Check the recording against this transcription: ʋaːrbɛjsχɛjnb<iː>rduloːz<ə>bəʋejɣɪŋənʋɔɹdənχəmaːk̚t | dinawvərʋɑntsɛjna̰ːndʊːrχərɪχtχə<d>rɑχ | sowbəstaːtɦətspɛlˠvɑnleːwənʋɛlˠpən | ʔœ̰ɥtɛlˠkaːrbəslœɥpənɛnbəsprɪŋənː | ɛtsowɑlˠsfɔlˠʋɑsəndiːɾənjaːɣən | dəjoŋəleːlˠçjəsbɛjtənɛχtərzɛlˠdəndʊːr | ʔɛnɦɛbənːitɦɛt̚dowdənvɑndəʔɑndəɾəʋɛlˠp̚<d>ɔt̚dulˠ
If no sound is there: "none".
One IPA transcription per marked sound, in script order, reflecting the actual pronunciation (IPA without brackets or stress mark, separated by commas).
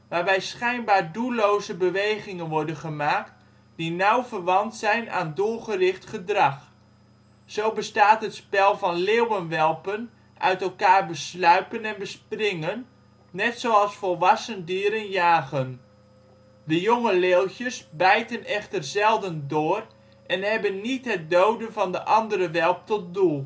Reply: aː, ə, d, t